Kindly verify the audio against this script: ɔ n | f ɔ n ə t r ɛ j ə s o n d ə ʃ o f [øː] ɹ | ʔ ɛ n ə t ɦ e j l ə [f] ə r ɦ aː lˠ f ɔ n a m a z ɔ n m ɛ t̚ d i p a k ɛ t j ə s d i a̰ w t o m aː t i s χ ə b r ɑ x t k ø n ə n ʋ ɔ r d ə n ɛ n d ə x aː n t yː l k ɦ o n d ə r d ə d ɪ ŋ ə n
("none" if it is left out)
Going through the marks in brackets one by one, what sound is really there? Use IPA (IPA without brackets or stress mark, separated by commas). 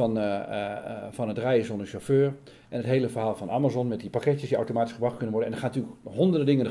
øː, f